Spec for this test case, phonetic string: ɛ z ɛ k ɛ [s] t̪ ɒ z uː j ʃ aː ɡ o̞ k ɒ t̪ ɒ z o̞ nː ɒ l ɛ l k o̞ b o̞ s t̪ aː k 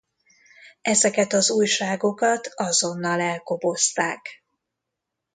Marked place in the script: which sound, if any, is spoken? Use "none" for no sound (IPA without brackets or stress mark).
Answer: none